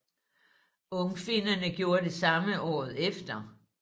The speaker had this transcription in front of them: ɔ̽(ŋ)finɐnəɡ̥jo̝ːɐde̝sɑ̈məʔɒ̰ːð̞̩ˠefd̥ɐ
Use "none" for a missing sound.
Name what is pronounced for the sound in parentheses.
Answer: ŋ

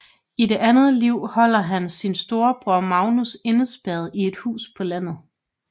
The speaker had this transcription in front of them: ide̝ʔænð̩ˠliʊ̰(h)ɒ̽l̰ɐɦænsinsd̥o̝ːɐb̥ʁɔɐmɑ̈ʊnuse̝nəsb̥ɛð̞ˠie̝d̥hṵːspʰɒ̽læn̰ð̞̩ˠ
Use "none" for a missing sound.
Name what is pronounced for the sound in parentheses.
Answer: h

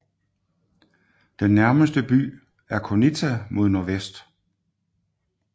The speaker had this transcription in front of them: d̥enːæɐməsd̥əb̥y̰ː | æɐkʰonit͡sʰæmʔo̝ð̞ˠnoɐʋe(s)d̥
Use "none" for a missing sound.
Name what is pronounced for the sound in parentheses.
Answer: s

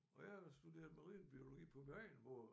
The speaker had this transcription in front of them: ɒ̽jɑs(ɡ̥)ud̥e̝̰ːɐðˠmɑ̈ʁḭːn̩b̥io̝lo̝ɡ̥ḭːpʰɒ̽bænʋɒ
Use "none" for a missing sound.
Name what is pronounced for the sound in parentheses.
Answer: d̥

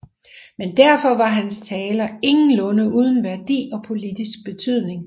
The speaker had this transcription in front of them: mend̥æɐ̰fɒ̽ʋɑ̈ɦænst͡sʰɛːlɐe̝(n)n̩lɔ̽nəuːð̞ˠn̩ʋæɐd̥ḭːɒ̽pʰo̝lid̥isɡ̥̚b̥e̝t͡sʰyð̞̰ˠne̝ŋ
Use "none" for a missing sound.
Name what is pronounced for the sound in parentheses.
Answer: ŋ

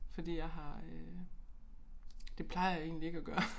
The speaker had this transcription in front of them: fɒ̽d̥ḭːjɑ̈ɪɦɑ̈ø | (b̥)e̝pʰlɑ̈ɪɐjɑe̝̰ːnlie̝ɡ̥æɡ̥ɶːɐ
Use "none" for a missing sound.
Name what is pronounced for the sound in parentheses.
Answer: d̥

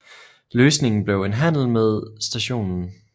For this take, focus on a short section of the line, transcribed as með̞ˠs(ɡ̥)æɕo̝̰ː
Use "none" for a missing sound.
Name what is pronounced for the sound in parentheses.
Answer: d̥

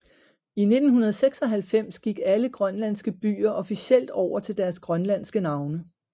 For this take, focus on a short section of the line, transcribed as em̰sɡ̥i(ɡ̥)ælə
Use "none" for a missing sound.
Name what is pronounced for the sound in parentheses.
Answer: ɡ̥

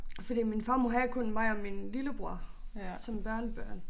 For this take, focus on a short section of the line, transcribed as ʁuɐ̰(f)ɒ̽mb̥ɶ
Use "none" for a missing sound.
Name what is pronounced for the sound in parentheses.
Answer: s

